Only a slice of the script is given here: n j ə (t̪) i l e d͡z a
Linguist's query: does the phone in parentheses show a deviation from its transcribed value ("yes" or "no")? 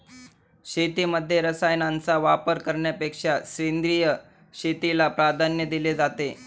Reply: yes